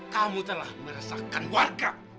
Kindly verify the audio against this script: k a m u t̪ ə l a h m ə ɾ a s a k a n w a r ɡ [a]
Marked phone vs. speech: correct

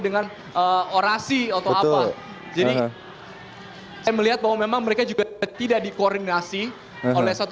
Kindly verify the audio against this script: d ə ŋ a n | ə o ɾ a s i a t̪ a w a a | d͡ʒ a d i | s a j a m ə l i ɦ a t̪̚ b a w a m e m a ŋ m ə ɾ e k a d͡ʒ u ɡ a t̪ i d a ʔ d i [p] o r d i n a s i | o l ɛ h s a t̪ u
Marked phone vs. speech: incorrect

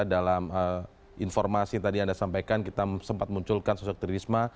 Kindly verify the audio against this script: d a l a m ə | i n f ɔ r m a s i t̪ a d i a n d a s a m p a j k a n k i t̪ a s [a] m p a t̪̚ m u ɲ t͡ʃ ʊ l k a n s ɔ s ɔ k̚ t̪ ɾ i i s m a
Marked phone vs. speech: incorrect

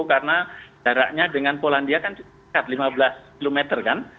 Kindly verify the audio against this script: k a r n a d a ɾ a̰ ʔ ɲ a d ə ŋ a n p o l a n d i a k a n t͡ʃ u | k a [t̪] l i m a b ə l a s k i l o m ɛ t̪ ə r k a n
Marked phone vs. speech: correct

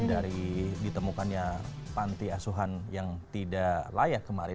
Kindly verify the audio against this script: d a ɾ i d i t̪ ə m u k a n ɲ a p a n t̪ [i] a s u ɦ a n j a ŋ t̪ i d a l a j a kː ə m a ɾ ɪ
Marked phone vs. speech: correct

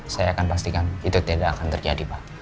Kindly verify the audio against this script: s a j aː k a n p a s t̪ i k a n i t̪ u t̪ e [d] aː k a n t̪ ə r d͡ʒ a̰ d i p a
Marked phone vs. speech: correct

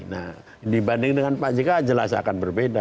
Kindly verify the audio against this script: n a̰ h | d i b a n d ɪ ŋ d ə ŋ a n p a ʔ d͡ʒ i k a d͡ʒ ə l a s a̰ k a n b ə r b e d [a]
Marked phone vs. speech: correct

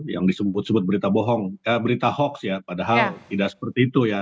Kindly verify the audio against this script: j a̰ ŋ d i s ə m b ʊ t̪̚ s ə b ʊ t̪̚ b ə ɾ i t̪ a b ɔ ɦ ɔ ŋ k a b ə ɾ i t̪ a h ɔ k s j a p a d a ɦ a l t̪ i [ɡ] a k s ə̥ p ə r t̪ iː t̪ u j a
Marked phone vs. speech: incorrect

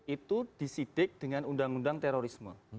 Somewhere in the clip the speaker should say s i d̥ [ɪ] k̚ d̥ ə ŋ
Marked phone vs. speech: correct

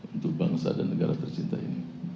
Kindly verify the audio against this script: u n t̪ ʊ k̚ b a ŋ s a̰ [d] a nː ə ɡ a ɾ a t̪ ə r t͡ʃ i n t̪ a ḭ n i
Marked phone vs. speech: correct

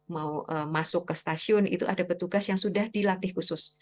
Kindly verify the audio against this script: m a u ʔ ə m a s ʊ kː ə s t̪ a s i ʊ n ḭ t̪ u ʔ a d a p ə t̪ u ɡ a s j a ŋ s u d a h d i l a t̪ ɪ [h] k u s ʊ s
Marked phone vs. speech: correct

